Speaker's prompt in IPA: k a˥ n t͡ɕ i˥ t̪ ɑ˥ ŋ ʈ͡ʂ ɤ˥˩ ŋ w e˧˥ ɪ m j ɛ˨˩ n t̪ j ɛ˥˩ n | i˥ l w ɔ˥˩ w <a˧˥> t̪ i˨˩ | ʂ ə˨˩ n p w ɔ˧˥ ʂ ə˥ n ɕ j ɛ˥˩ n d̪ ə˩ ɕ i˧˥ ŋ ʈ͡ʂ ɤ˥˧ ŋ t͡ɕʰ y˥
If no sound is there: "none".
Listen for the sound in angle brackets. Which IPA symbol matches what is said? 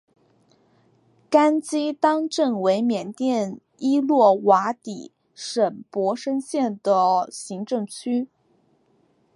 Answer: a˧˥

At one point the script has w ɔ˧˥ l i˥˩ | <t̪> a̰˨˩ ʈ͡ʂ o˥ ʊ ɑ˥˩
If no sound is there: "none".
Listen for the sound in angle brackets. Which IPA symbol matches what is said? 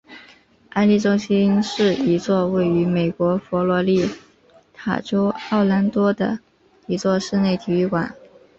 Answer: t̪ʰ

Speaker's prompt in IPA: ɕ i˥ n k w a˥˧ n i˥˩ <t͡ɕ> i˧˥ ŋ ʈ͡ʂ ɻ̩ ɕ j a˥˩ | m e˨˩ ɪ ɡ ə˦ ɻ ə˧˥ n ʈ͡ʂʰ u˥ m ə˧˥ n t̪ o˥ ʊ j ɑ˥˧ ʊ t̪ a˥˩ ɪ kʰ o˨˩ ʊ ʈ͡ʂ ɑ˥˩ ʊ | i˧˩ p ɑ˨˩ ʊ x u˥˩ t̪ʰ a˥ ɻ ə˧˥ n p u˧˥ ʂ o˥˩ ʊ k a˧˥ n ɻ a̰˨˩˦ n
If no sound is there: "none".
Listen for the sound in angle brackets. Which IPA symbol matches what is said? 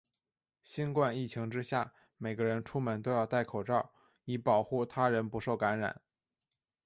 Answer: t͡ɕʰ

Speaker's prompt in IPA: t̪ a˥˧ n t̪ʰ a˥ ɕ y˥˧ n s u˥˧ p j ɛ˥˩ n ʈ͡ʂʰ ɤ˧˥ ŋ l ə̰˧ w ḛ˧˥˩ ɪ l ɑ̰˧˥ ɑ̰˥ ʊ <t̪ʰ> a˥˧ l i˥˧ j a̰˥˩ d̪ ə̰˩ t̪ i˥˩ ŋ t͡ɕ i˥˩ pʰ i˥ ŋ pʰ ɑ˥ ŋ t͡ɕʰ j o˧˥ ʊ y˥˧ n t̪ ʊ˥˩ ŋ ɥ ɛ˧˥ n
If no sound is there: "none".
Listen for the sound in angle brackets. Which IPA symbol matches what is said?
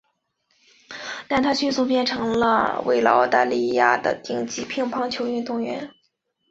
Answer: t̪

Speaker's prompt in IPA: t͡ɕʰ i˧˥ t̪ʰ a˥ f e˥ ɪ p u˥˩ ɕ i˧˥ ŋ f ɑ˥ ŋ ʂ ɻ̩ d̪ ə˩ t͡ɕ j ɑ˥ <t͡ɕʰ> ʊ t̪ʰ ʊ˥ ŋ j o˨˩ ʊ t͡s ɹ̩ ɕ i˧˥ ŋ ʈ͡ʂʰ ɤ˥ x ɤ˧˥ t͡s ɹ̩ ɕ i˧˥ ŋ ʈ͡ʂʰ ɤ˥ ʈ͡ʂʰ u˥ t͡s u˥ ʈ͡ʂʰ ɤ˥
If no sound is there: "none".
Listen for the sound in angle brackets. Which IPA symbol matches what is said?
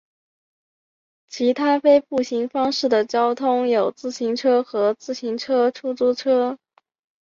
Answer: none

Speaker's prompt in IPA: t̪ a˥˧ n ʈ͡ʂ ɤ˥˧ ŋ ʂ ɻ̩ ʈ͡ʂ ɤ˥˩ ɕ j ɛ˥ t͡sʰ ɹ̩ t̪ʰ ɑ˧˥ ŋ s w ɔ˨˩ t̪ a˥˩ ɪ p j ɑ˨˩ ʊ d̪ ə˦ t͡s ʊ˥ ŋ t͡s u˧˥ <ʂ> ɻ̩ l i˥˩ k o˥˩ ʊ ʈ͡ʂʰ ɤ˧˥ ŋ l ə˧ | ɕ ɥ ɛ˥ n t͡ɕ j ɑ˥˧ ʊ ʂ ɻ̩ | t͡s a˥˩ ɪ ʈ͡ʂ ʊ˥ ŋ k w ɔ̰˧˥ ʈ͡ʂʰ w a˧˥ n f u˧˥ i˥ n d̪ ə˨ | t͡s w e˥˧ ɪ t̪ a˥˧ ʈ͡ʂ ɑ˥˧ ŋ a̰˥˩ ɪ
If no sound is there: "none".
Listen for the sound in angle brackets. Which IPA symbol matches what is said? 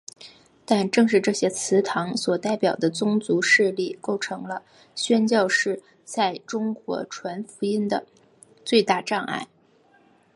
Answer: ʂ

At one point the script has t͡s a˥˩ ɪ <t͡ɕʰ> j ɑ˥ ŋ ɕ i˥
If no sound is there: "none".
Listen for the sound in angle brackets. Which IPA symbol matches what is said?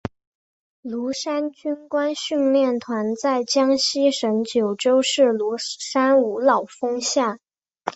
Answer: t͡ɕ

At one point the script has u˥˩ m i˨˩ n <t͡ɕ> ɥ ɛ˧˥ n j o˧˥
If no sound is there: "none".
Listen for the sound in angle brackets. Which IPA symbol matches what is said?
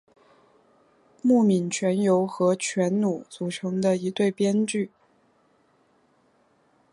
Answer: t͡ɕʰ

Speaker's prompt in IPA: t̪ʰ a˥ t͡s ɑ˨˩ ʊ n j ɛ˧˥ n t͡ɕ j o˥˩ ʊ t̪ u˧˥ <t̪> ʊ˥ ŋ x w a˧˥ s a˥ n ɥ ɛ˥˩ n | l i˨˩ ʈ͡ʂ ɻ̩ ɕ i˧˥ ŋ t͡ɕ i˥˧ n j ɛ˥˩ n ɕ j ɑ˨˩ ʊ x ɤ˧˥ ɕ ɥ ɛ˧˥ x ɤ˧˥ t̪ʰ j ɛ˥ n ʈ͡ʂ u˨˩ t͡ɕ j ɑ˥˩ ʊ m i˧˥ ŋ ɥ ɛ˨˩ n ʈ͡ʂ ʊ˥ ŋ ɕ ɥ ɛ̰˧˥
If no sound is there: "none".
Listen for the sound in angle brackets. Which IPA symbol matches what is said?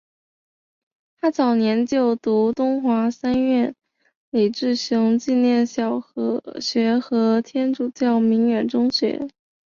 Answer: t̪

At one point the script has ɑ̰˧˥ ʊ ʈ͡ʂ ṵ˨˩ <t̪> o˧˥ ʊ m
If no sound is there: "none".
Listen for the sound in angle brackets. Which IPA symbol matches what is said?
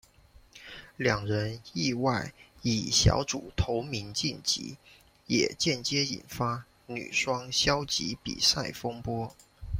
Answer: t̪ʰ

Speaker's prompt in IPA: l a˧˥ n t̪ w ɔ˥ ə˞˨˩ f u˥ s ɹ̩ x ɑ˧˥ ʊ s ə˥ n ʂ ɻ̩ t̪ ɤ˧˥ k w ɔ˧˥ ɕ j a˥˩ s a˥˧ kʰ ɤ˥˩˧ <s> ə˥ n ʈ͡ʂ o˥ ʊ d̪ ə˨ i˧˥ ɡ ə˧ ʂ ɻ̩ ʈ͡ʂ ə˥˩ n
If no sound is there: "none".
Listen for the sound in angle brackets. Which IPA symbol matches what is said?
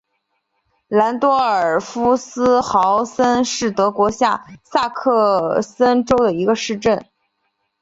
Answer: s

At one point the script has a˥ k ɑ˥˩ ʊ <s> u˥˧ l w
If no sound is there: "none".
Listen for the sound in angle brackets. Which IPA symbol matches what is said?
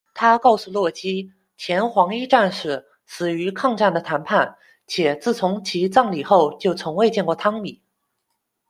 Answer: s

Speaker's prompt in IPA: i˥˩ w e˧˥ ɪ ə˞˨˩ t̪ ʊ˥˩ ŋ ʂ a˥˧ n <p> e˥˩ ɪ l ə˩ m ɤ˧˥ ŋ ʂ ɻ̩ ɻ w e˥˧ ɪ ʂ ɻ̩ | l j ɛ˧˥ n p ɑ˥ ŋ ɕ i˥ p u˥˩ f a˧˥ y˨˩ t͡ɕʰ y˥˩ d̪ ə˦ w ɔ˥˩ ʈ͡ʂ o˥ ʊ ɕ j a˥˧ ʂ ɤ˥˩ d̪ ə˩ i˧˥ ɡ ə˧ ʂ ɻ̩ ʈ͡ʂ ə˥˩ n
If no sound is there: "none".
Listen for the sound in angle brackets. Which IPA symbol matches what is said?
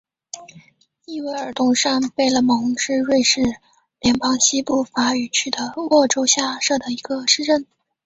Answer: p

